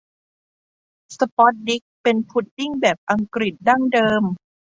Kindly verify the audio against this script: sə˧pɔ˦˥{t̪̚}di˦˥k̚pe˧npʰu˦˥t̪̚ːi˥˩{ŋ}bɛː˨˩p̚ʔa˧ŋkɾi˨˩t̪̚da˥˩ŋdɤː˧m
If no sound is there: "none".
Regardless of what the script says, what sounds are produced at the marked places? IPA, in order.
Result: t̪̚, ŋ

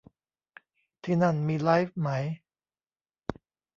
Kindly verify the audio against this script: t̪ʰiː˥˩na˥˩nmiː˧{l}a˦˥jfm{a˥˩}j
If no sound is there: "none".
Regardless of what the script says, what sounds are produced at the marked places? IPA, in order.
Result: l, a˦˥

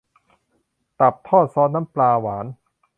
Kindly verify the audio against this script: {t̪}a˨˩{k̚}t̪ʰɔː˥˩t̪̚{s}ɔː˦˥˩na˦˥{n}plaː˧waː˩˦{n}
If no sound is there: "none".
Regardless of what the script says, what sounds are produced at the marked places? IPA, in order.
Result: t̪, p̚, s, m, n

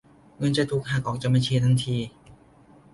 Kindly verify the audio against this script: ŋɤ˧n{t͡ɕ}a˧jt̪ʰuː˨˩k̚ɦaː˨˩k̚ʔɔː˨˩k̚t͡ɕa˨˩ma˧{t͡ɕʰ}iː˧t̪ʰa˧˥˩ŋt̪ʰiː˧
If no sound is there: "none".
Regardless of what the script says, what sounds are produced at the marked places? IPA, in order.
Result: t͡ɕ, t͡ɕʰ

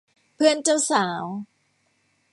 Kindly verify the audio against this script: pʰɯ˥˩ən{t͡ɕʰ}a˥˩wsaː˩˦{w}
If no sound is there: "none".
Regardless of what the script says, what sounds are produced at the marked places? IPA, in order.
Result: t͡ɕ, w

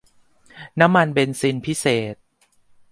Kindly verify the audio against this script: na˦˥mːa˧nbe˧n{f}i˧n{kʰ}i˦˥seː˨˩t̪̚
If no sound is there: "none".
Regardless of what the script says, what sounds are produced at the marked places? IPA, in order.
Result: s, pʰ

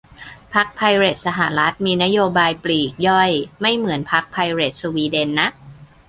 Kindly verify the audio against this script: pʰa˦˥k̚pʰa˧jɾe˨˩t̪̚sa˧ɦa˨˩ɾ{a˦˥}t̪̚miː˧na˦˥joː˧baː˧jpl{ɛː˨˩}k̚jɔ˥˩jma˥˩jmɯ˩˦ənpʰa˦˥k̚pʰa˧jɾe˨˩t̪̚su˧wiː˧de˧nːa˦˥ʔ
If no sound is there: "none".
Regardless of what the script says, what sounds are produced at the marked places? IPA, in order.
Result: a˦˥, iː˨˩

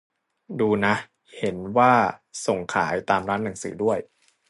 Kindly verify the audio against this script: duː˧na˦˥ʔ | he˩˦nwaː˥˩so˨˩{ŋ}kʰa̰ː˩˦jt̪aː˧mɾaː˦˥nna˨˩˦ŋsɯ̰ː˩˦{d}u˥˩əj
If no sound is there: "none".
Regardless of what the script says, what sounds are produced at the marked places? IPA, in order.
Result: ŋ, d

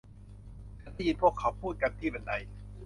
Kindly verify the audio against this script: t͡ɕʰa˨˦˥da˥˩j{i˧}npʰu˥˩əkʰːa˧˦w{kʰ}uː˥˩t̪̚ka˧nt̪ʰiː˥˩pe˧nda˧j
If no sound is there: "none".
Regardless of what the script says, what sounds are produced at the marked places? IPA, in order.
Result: i˧, pʰ

